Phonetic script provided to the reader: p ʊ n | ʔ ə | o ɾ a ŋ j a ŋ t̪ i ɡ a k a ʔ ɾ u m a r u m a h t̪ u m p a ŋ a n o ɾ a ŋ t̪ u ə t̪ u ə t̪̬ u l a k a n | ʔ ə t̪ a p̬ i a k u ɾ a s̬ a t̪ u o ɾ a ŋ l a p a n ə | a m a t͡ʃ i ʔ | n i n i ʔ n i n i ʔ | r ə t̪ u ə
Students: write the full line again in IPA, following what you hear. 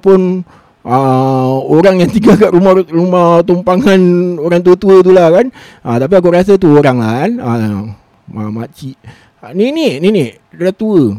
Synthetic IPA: p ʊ n | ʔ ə | o ɾ a ŋ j a ŋ t̪ i ɡ a k a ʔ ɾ u m a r u m a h t̪ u m p a ŋ a n o ɾ a ŋ t̪ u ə t̪ u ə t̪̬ u l a k a n | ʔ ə t̪ a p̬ i a k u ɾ a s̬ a t̪ u o ɾ a ŋ l a k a n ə | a m a t͡ʃ i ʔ | n i n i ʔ n i n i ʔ | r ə t̪ u ə